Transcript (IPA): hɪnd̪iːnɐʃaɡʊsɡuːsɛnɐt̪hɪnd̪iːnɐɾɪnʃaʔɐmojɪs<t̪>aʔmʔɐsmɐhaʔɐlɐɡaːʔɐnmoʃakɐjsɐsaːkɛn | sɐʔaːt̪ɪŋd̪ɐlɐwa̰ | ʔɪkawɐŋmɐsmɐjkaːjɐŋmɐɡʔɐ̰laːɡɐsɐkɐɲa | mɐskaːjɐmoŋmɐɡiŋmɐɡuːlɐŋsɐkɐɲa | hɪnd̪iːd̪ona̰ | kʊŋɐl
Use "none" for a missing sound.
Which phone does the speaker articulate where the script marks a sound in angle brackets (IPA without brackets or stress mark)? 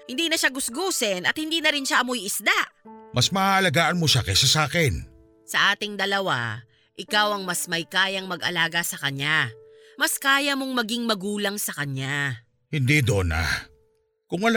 d̪